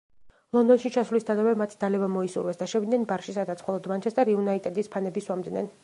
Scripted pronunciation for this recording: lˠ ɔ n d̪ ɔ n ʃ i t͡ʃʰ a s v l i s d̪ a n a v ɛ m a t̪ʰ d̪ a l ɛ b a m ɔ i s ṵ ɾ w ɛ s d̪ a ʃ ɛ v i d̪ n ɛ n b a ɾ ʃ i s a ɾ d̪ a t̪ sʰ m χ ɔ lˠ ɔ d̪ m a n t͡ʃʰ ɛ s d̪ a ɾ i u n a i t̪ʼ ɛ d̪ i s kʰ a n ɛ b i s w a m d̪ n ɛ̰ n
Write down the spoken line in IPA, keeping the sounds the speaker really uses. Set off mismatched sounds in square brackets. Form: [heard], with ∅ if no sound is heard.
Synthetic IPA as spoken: lˠ ɔ n d̪ ɔ n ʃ i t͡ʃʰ a s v l i s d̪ a n a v ɛ m a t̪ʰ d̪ a l ɛ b a m ɔ i s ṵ ɾ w ɛ s d̪ a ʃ ɛ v i d̪ n ɛ n b a ɾ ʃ i s a [∅] d̪ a t̪ sʰ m χ ɔ lˠ ɔ d̪ m a n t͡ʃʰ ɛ s d̪ a ɾ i u n a i t̪ʼ ɛ d̪ i s [pʰ] a n ɛ b i s w a m d̪ n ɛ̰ n